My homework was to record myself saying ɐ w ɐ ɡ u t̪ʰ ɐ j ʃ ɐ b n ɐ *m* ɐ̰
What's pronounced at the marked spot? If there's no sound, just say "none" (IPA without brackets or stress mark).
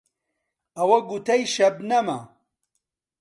m